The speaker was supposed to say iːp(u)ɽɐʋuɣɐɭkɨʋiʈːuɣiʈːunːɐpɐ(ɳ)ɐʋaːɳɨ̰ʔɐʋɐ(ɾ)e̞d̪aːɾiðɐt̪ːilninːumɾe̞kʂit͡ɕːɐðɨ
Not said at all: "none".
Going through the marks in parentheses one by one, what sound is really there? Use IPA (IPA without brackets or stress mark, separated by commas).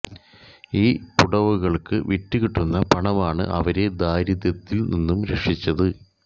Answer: u, ɳ, ɾ